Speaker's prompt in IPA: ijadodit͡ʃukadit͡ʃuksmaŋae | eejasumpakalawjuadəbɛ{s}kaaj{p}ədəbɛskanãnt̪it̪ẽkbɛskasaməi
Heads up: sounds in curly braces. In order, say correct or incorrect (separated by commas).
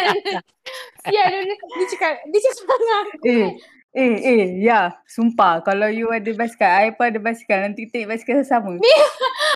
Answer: correct, correct